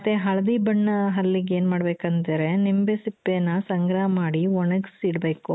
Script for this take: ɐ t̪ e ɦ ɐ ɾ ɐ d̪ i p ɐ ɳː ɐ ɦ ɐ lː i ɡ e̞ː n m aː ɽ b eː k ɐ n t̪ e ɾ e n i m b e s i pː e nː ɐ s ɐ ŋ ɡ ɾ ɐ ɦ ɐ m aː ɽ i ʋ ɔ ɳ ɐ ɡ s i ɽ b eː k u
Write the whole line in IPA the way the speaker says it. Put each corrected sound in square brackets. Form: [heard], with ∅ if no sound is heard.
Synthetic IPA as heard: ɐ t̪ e ɦ ɐ [ɭ] ɐ d̪ i [b] ɐ ɳː ɐ ɦ ɐ lː i ɡ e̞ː n m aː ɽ b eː k ɐ n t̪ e ɾ e n i m b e s i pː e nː ɐ s ɐ ŋ ɡ ɾ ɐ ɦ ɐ m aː ɽ i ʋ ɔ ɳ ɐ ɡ s i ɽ b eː k u